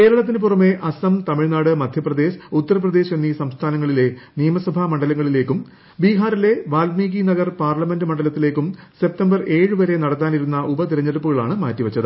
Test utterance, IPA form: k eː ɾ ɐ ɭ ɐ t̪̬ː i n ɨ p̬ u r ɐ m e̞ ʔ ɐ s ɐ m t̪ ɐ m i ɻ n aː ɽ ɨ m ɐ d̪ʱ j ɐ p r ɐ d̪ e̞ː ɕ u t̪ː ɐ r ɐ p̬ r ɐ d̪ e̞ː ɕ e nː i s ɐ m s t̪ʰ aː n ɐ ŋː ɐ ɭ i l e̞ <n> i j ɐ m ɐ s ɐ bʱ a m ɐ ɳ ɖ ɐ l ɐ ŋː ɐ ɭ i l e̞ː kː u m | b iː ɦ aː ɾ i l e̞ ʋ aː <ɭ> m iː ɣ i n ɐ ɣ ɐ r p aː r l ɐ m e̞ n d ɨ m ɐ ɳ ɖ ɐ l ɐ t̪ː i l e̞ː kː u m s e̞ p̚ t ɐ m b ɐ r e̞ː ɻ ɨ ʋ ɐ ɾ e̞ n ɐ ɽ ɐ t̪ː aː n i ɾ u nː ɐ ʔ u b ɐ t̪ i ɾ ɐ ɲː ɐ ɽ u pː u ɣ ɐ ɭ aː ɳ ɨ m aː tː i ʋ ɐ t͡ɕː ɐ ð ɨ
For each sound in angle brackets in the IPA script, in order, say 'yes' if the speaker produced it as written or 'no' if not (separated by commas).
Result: yes, no